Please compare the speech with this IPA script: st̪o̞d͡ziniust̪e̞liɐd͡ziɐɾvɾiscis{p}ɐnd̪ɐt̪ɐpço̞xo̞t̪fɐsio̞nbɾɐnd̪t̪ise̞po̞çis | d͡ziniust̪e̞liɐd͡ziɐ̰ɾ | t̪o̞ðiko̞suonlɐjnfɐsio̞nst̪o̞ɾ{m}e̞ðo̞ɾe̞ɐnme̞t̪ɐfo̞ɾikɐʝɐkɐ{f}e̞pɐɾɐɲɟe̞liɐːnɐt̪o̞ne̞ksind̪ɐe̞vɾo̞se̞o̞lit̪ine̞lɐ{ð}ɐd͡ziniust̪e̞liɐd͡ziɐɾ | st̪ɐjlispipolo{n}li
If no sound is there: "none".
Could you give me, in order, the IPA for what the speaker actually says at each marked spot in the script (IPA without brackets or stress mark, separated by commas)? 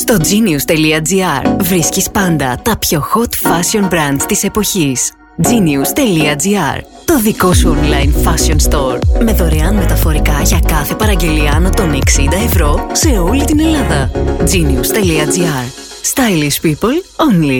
p, m, θ, ð, n